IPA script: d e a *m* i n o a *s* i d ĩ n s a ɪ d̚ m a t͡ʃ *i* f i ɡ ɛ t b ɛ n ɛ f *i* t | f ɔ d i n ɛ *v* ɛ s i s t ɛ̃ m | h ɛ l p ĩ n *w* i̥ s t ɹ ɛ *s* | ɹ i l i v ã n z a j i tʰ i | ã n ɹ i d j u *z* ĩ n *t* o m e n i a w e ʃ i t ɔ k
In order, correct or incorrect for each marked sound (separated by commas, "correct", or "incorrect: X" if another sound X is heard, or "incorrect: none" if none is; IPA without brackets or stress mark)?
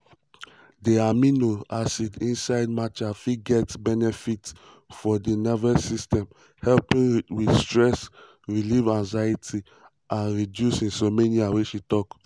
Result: correct, correct, incorrect: a, correct, correct, correct, correct, incorrect: s, incorrect: s